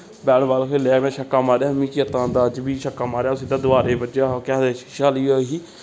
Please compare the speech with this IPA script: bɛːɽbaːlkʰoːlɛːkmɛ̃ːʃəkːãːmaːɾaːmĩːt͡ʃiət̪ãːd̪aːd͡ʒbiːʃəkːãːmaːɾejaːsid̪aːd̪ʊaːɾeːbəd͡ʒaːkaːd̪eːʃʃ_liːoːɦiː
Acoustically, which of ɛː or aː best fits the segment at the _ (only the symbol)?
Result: aː